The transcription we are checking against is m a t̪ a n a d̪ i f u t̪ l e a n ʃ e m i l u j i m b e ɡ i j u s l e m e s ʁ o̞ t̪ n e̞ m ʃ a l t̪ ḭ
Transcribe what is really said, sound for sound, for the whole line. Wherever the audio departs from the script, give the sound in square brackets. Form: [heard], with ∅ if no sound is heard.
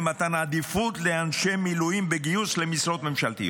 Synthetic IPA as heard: m a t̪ a n a d̪ i f u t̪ l e a n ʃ e m i l u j i m b e ɡ i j u s l e m [i] s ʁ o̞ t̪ [m] e̞ m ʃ a l t̪ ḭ